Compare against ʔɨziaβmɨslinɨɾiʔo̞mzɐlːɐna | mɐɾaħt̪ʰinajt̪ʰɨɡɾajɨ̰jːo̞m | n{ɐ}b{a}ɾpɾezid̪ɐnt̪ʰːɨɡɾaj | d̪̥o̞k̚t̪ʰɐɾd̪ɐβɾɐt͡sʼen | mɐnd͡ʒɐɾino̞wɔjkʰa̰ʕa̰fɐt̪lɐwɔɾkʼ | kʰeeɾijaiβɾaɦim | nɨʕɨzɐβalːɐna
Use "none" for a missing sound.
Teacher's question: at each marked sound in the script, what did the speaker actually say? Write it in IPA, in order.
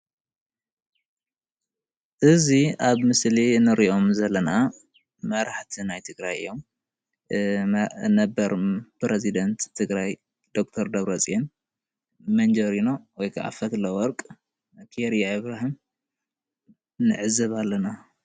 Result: ɐ, ɐ

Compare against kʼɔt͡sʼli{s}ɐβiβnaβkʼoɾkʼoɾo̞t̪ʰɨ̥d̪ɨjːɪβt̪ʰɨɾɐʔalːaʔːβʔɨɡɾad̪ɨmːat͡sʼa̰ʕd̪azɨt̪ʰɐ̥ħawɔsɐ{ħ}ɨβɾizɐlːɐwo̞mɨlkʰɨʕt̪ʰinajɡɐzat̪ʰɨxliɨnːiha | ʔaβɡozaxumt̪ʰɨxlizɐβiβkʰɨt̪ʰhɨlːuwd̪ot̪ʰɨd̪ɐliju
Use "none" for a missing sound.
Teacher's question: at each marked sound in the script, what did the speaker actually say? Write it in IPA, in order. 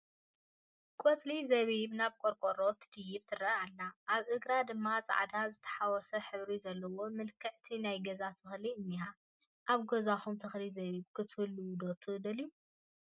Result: z, ħ

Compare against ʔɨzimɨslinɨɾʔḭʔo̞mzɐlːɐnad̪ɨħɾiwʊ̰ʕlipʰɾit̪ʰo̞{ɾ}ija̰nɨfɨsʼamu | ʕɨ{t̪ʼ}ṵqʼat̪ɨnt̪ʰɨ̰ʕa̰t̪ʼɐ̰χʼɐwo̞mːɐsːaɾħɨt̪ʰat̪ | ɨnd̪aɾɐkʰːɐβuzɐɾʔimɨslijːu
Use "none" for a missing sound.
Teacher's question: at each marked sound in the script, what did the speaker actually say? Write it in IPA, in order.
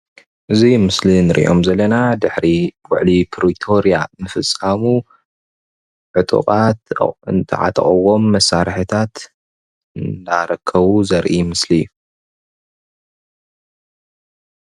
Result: ɾ, t̪ʼ

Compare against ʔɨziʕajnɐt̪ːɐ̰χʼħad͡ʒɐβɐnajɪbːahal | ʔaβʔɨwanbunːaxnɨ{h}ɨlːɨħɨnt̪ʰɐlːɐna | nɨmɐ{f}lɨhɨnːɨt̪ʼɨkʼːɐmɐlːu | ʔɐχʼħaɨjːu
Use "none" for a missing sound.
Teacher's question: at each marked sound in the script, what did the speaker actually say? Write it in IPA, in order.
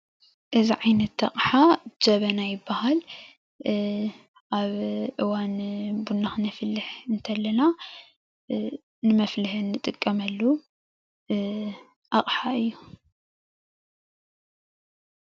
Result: f, f

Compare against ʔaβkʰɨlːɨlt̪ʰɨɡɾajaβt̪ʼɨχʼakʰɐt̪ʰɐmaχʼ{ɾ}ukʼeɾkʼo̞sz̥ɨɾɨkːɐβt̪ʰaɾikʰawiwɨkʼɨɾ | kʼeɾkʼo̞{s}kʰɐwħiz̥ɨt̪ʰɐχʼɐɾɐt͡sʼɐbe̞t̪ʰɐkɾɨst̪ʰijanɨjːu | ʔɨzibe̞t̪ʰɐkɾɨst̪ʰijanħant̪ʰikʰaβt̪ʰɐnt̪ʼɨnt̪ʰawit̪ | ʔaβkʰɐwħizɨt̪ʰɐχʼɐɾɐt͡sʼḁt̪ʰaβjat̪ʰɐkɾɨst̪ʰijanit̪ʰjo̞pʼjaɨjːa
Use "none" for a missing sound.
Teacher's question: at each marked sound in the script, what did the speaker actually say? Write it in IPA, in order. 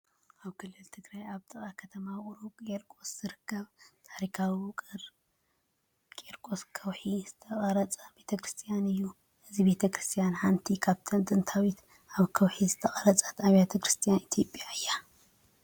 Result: ɾ, s

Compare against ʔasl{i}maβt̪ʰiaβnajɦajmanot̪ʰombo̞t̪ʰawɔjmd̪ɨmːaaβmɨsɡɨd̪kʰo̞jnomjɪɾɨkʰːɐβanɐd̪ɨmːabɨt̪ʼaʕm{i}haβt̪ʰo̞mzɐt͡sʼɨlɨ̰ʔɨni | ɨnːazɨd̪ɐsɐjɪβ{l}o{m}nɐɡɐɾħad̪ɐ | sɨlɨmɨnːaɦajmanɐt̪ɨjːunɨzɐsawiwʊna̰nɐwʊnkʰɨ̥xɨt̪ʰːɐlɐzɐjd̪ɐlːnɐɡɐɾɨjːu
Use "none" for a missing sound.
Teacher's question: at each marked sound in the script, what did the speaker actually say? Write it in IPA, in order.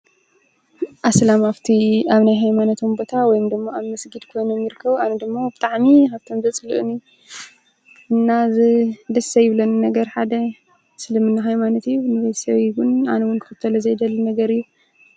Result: a, i, l, n

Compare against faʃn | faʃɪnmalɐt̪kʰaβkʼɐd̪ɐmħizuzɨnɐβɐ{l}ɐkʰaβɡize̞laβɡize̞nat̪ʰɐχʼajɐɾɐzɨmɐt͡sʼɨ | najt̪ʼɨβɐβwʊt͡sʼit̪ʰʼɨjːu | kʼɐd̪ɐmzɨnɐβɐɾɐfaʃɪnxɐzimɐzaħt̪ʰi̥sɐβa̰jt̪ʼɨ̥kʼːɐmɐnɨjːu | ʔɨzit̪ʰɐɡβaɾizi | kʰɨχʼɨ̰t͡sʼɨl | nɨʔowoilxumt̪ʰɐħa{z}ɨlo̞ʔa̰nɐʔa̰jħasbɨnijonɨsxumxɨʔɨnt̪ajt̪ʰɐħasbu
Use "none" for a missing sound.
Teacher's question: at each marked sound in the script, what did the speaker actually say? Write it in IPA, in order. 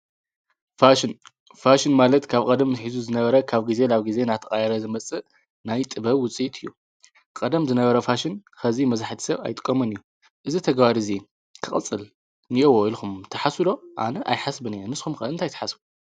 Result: ɾ, s

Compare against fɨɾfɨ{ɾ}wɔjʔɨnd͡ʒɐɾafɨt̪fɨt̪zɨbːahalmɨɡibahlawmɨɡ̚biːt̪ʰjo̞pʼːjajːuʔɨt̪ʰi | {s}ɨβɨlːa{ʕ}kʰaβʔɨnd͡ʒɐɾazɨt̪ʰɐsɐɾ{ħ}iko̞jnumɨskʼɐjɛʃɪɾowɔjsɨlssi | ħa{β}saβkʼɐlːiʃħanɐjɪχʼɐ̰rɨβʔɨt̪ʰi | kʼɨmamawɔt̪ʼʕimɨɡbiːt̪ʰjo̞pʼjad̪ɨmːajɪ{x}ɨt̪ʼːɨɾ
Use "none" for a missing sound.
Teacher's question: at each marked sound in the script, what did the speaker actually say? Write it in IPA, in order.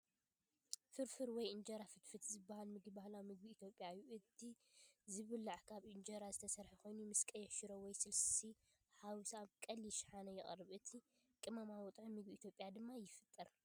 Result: ɾ, z, ʕ, ħ, w, f

